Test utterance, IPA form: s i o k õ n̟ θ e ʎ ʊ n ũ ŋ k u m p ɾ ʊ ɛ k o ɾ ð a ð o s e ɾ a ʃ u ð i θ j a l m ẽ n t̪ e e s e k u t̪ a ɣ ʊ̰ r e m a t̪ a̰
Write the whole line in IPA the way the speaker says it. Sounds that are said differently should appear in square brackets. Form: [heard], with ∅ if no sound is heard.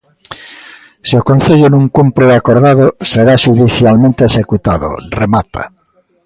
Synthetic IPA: s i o k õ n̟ θ e ʎ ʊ n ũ ŋ k u m p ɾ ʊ [a] k o ɾ ð a ð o s e ɾ a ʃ u ð i θ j a l m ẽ n t̪ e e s e k u t̪ a [ð] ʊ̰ r e m a t̪ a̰